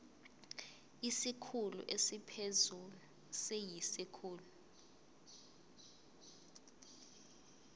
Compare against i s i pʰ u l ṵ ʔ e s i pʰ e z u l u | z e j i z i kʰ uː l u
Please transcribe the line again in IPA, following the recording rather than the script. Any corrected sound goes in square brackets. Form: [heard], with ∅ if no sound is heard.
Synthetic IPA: i s i [kʰ] u l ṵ ʔ e s i pʰ e z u l u | [s] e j i [s] i kʰ uː l u